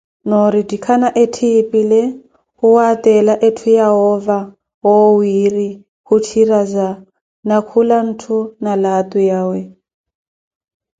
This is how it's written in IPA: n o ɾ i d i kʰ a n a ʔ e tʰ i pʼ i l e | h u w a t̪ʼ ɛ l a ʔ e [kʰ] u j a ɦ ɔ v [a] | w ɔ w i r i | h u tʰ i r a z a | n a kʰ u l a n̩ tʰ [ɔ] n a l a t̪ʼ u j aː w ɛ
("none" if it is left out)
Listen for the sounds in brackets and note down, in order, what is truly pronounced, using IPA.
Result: tʰ, a, u

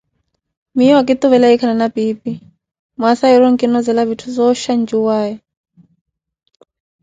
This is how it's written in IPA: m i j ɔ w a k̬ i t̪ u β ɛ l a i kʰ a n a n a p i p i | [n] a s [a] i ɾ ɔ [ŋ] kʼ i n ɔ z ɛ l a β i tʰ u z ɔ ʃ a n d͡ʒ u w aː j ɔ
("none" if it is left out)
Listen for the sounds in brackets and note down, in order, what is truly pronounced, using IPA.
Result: m, a, ŋ

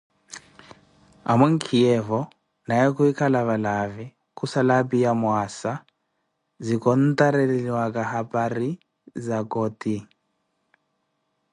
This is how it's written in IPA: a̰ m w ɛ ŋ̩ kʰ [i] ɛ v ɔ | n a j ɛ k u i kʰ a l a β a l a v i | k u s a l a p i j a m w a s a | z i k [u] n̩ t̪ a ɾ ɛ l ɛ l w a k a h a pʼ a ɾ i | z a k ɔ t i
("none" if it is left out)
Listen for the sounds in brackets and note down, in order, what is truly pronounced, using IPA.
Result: i, ɔ

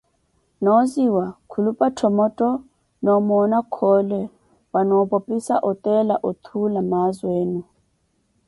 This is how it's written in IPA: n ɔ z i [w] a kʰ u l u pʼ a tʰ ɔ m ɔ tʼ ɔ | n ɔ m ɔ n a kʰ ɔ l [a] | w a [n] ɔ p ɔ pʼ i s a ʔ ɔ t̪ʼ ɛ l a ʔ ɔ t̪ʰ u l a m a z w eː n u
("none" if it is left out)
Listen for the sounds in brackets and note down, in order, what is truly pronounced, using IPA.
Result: w, ɛ, n

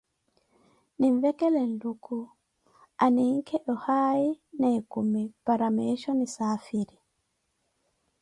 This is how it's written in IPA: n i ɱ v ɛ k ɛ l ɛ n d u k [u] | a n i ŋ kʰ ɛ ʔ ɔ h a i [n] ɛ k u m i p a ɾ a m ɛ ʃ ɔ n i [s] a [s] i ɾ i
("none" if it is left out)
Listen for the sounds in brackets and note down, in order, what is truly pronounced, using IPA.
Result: u, n, s, f

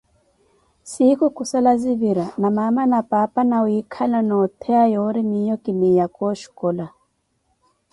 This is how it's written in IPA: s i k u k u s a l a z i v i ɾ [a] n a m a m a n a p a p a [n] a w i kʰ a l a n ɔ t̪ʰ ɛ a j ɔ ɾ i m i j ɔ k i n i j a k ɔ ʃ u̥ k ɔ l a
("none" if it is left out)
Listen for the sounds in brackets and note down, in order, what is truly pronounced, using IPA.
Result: a, n

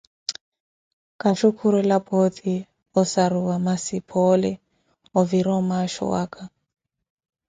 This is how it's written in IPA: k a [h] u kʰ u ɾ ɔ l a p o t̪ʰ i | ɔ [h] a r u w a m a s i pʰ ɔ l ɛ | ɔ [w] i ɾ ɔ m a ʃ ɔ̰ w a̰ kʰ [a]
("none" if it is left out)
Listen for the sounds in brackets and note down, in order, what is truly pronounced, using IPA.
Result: ʃ, s, v, a

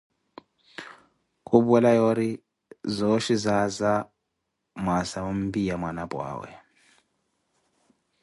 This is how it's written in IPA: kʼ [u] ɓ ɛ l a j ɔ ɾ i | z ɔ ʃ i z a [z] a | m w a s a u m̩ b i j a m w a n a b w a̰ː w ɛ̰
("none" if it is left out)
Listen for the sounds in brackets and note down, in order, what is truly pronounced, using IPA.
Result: u, z

